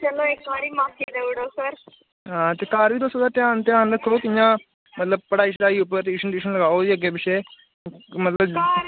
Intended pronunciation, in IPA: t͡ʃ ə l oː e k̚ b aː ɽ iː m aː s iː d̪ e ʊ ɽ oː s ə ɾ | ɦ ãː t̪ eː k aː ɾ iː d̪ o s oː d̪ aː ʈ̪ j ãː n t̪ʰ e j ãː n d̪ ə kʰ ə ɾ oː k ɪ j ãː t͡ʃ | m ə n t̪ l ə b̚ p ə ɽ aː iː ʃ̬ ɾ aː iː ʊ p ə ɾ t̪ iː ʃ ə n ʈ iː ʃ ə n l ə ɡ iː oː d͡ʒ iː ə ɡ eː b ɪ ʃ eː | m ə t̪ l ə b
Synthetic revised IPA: t͡ʃ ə l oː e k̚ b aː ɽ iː m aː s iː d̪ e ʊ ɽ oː s ə ɾ | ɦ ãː t̪ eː k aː ɾ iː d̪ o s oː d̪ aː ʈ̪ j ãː n t̪ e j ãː n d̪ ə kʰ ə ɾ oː k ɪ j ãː | m ə t̪ l ə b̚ p ə ɽ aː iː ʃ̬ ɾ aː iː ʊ p ə ɾ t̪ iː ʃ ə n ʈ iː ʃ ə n l ə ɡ aː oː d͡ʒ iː ə ɡ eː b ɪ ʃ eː | m ə t̪ l ə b

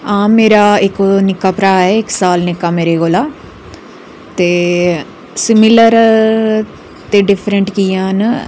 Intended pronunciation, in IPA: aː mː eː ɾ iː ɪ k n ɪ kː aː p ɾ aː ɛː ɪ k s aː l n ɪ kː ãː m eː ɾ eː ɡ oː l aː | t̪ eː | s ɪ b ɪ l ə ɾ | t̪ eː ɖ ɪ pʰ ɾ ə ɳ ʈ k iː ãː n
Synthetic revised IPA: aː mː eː ɾ aː ɪ k n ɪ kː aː p ɾ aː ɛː ɪ k s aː l n ɪ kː aː m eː ɾ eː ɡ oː l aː | t̪ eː | s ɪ m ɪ l ə ɾ | t̪ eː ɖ ɪ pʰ ɾ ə ɳ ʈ k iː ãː n

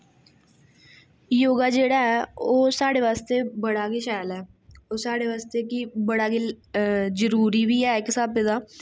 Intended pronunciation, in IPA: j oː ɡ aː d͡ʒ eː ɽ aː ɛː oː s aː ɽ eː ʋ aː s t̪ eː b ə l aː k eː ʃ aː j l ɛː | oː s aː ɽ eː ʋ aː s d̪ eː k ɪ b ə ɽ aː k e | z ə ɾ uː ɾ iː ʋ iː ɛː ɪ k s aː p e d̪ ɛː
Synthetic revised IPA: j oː ɡ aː d͡ʒ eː ɽ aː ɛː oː s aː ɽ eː ʋ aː s t̪ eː b ə ɽ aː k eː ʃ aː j l ɛː | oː s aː ɽ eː ʋ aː s t̪ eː k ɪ b ə ɽ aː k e | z ə ɾ uː ɾ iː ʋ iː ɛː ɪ k s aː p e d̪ aː

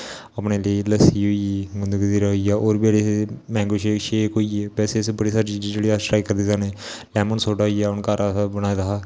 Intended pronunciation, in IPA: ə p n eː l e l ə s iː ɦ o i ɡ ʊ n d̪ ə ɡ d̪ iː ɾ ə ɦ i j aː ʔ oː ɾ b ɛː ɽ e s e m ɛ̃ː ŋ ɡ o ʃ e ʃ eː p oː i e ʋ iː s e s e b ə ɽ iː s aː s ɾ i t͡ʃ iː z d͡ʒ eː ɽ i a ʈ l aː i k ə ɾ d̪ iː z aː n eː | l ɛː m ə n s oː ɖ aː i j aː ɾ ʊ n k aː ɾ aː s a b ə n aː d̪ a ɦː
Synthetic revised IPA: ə p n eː l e l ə s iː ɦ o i ɡ ʊ n d̪ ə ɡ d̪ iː ɾ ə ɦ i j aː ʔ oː ɾ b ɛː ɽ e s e m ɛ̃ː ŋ ɡ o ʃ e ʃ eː k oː i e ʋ ɛː s e s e b ə ɽ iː s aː ɾ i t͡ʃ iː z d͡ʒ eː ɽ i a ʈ ɾ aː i k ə ɾ d̪ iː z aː n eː | l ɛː m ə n s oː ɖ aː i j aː ʊ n k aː ɾ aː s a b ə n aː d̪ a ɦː

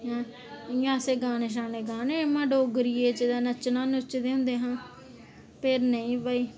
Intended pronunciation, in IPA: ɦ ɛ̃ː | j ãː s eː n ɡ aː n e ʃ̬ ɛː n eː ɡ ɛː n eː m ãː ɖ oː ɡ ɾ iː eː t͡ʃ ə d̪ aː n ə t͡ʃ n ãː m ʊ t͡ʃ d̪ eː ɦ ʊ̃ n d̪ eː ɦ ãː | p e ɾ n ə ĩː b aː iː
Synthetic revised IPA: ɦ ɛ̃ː | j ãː s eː ɡ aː n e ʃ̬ aː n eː ɡ aː n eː m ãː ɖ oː ɡ ɾ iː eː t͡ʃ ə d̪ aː n ə t͡ʃ n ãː n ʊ t͡ʃ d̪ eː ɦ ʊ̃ n d̪ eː ɦ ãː | p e ɾ n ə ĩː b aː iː

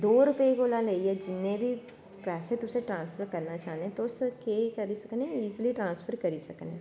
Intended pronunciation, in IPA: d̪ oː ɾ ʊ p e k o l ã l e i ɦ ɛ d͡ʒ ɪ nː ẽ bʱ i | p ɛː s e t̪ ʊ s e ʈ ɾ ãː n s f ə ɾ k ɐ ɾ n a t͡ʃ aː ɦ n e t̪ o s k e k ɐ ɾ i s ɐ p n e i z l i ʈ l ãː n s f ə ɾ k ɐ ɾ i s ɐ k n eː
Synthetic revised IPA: d̪ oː ɾ ʊ p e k o l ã l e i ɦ ɛ d͡ʒ ɪ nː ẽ bʱ i | p ɛː s e t̪ ʊ s e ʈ ɾ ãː n s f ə ɾ k ɐ ɾ n a t͡ʃ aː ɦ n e t̪ o s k e k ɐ ɾ i s ɐ k n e iː z l i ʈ ɾ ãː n s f ə ɾ k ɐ ɾ i s ɐ k n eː

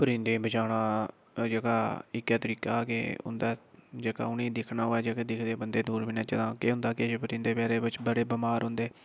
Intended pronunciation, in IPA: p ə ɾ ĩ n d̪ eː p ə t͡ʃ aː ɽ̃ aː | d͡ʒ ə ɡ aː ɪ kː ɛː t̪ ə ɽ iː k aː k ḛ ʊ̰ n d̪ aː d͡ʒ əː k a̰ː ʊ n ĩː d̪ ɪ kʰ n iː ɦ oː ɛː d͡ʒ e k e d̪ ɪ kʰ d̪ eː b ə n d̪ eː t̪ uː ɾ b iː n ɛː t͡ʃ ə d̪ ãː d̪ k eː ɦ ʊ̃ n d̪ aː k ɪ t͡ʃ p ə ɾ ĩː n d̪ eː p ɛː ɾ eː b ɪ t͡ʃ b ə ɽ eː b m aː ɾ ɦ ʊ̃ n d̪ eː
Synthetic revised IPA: p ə ɾ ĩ n d̪ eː b ə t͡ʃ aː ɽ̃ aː | d͡ʒ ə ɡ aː ɪ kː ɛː t̪ ə ɾ iː k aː k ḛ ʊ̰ n d̪ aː d͡ʒ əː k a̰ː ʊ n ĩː d̪ ɪ kʰ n aː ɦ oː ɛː d͡ʒ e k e d̪ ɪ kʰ d̪ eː b ə n d̪ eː d̪ uː ɾ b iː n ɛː t͡ʃ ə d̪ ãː k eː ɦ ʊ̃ n d̪ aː k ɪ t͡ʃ p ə ɾ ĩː n d̪ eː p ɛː ɾ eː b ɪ t͡ʃ b ə ɽ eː b m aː ɾ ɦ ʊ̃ n d̪ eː

